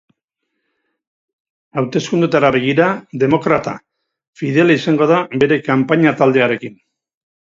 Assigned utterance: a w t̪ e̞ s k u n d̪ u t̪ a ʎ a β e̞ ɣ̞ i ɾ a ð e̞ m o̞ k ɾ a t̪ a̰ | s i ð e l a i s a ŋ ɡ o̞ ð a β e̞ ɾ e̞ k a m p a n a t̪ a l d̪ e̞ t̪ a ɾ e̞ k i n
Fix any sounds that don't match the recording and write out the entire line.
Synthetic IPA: a w t̪ e̞ s k u n d̪ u t̪ a ɾ a β e̞ ɣ̞ i ɾ a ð e̞ m o̞ k ɾ a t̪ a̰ | f i ð e l a i s a ŋ ɡ o̞ ð a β e̞ ɾ e̞ k a m p a ɲ a t̪ a l d̪ e̞ a ɾ e̞ k i n

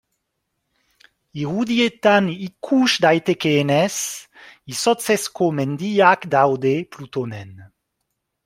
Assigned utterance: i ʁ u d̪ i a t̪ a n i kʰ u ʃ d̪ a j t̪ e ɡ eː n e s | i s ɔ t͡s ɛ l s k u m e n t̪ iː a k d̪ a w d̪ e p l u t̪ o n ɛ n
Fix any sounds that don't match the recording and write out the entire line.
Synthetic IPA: i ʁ u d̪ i e t̪ a n i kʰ u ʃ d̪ a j t̪ e k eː n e s | i s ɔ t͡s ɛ s k o m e n d̪ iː a k d̪ a w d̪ e p l u t̪ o n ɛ n

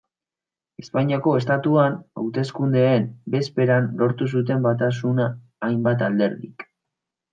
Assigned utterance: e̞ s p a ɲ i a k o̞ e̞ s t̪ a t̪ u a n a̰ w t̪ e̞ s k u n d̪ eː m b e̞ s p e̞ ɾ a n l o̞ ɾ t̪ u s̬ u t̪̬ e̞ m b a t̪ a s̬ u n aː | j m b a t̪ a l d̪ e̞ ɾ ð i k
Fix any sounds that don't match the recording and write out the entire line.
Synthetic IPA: e̞ s p a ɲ i a k o̞ e̞ s t̪ a t̪ u a n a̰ w t̪ e̞ s k u n d̪ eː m b e̞ s p e̞ ɾ a n l o̞ ɾ t̪ u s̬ u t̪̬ e̞ m b a t̪ a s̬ u n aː | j m b a t̪ a l d̪ e̞ ɾ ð i k

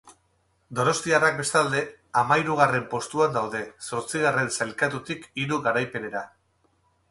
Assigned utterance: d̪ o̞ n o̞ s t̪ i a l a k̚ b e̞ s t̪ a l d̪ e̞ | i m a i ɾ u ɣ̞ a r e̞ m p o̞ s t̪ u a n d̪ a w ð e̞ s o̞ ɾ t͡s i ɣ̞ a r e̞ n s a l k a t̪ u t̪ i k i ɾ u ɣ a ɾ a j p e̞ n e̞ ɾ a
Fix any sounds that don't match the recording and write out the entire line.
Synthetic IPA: d̪ o̞ n o̞ s t̪ i a r a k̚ b e̞ s t̪ a l d̪ e̞ | a m a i ɾ u ɣ̞ a r e̞ m p o̞ s t̪ u a n d̪ a w ð e̞ s o̞ ɾ t͡s i ɣ̞ a r e̞ n s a l k a t̪ u t̪ i k i ɾ u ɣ a ɾ a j p e̞ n e̞ ɾ a

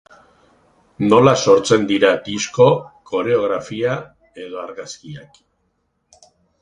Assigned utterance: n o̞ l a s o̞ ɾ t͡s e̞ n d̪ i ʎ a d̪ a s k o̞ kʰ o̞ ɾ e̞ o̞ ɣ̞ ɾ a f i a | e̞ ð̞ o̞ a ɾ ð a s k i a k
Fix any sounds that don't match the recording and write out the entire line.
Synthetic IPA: n o̞ l a s o̞ ɾ t͡s e̞ n d̪ i ɾ a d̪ i s k o̞ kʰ o̞ ɾ e̞ o̞ ɣ̞ ɾ a f i a | e̞ ð̞ o̞ a ɾ ɣ a s k i a k

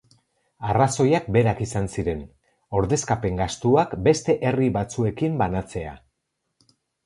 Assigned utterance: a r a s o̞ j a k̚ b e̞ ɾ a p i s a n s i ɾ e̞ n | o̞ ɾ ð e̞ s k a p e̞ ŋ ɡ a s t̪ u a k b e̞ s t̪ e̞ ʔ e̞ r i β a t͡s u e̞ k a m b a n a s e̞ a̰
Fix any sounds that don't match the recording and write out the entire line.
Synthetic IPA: a r a s o̞ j a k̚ b e̞ ɾ a k i s a n s i ɾ e̞ n | o̞ ɾ ð e̞ s k a p e̞ ŋ ɡ a s t̪ u a k b e̞ s t̪ e̞ ʔ e̞ r i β a t͡s u e̞ k i m b a n a t͡s e̞ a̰

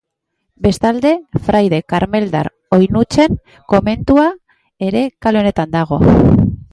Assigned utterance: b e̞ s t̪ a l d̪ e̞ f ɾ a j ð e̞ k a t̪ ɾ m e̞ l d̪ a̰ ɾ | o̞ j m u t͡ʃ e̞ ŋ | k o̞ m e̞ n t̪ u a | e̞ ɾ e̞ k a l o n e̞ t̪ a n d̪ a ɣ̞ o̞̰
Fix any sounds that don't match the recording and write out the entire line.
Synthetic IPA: b e̞ s t̪ a l d̪ e̞ f ɾ a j ð e̞ k a ɾ m e̞ l d̪ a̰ ɾ | o̞ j n u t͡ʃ e̞ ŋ | k o̞ m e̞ n t̪ u a | e̞ ɾ e̞ k a l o n e̞ t̪ a n d̪ a ɣ̞ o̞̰

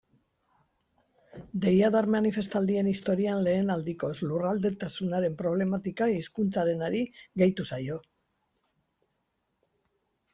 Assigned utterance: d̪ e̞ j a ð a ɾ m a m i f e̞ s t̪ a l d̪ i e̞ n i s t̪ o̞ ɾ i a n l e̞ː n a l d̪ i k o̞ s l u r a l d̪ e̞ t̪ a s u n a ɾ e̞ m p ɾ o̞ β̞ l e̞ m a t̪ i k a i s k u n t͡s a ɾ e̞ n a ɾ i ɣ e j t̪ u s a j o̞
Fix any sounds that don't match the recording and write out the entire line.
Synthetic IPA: d̪ e̞ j a ð a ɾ m a n i f e̞ s t̪ a l d̪ i e̞ n i s t̪ o̞ ɾ i a n l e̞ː n a l d̪ i k o̞ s l u r a l d̪ e̞ t̪ a s u n a ɾ e̞ m p ɾ o̞ β̞ l e̞ m a t̪ i k a i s k u n t͡s a ɾ e̞ n a ɾ i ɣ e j t̪ u s a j o̞

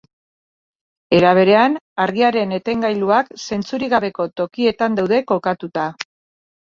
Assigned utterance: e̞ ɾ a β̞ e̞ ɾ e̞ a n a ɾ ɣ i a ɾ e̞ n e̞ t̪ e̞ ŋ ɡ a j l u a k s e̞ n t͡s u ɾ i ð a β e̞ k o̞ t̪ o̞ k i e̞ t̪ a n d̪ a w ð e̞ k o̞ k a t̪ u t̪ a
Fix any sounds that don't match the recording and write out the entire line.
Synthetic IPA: e̞ ɾ a β̞ e̞ ɾ e̞ a n a ɾ ɣ i a ɾ e̞ n e̞ t̪ e̞ ŋ ɡ a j l u a k s e̞ n t͡s u ɾ i ɣ a β e̞ k o̞ t̪ o̞ k i e̞ t̪ a n d̪ a w ð e̞ k o̞ k a t̪ u t̪ a

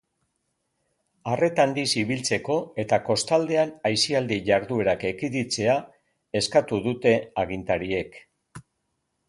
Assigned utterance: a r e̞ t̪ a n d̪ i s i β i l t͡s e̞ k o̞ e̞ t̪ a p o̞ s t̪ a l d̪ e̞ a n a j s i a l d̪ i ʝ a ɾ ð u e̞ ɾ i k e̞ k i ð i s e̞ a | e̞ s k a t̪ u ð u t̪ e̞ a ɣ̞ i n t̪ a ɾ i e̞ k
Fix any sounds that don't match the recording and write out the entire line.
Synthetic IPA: a r e̞ t̪ a n d̪ i s i β i l t͡s e̞ k o̞ e̞ t̪ a k o̞ s t̪ a l d̪ e̞ a n a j s i a l d̪ i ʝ a ɾ ð u e̞ ɾ a k e̞ k i ð i t͡s e̞ a | e̞ s k a t̪ u ð u t̪ e̞ a ɣ̞ i n t̪ a ɾ i e̞ k

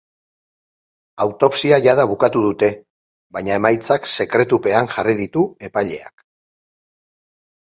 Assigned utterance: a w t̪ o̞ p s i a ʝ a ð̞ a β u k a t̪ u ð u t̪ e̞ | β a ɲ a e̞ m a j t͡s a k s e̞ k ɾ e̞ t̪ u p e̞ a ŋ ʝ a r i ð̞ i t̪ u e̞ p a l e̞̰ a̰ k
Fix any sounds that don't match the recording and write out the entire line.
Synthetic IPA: a w t̪ o̞ p s i a ʝ a ð̞ a β u k a t̪ u ð u t̪ e̞ | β a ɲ a e̞ m a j t͡s a k s e̞ k ɾ e̞ t̪ u p e̞ a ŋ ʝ a r i ð̞ i t̪ u e̞ p a ʎ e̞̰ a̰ k

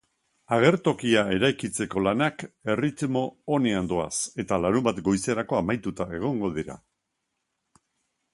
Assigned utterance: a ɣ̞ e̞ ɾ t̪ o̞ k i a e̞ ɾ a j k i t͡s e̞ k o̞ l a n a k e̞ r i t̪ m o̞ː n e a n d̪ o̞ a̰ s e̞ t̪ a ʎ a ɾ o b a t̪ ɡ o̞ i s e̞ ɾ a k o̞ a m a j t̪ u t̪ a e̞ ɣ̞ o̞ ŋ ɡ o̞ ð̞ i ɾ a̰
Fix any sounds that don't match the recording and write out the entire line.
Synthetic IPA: a ɣ̞ e̞ ɾ t̪ o̞ k i a e̞ ɾ a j k i t͡s e̞ k o̞ l a n a k e̞ r i t̪ m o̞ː n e a n d̪ o̞ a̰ s e̞ t̪ a l a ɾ u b a t̪ ɡ o̞ j s e̞ ɾ a k o̞ a m a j t̪ u t̪ a e̞ ɣ̞ o̞ ŋ ɡ o̞ ð̞ i ɾ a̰

